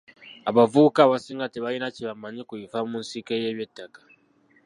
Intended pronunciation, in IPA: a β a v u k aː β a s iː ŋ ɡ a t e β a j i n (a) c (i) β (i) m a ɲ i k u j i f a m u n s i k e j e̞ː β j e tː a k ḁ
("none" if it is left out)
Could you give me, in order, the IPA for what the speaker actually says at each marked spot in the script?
a, i, a

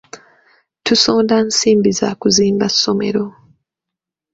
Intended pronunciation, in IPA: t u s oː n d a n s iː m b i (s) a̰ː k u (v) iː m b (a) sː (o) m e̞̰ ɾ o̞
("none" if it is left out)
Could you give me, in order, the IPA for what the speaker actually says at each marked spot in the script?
z, z, a, o

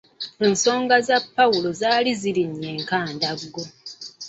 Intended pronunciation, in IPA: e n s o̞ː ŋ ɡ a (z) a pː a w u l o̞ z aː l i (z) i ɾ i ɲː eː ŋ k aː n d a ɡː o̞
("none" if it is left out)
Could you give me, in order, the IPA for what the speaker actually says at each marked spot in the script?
z, z

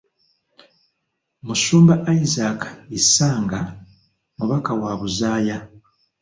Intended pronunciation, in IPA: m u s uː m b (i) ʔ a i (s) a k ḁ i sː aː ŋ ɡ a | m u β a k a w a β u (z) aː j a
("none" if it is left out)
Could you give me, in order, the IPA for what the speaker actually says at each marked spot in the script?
a, z, z

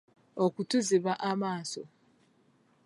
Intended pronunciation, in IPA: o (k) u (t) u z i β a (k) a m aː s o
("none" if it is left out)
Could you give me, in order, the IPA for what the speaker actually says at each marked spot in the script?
k, t, ʔ

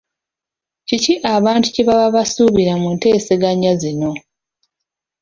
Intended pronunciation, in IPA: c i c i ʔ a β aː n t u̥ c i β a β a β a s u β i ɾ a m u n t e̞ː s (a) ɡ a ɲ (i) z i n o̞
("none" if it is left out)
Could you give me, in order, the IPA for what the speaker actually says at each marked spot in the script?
e, a

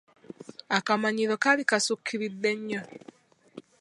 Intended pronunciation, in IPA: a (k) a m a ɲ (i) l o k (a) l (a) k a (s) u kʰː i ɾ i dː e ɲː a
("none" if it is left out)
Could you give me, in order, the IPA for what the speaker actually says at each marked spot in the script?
k, i, a, i, s

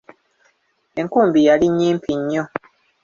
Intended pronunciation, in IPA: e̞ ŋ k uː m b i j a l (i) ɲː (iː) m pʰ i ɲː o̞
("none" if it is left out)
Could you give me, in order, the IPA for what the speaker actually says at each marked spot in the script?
i, iː

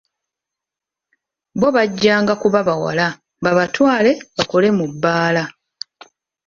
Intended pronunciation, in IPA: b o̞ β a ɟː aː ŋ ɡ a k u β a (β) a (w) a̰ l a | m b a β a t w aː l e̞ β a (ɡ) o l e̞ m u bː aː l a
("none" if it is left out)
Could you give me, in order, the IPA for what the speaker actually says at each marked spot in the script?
β, w, k

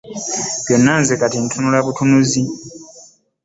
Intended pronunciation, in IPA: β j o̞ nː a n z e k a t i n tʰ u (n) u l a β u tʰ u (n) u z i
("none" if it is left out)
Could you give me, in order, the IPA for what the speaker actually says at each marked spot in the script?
n, n

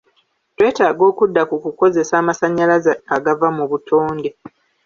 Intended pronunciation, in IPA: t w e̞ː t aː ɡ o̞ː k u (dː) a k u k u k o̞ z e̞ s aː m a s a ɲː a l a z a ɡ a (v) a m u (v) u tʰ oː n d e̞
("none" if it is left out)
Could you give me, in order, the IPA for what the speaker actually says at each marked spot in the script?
dː, v, β

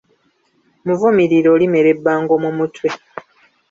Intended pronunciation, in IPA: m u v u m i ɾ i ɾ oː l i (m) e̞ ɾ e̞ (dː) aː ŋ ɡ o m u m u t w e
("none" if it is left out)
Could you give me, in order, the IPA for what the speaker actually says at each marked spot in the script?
m, bː

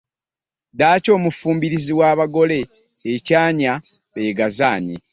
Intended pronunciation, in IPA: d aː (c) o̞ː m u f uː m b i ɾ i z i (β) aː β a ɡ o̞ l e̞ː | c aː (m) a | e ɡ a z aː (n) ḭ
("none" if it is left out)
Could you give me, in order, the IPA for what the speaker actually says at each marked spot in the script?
c, w, ɲ, ɲ

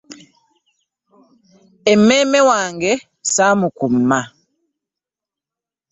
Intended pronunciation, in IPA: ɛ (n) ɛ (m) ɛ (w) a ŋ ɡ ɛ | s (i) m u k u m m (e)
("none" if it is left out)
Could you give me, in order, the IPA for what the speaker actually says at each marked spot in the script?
m, m, w, a, a

